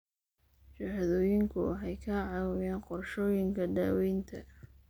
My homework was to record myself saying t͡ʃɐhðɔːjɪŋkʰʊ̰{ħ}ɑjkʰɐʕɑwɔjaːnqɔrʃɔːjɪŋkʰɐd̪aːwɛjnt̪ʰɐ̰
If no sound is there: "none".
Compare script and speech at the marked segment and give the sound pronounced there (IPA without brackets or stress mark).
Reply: ħ